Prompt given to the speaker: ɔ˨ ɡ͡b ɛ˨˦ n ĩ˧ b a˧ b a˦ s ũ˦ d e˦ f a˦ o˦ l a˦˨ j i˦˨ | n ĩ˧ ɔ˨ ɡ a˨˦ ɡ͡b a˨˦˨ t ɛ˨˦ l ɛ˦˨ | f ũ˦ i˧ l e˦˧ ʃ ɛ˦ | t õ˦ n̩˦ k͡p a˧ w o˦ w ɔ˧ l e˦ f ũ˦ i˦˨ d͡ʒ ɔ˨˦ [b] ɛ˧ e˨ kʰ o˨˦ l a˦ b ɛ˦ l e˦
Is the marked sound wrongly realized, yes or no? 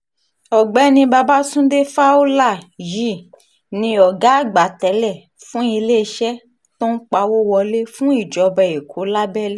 no